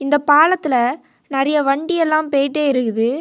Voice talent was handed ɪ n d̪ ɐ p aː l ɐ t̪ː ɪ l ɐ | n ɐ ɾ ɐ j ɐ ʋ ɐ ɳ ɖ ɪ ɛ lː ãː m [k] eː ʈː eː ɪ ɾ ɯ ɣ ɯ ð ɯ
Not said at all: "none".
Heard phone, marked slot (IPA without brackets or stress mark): p